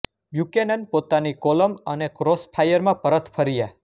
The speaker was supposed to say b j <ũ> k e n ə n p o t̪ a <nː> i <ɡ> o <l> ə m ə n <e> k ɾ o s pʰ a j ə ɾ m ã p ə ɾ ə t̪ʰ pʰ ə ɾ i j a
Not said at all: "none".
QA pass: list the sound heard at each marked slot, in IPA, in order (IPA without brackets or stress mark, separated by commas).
u, n, k, l, e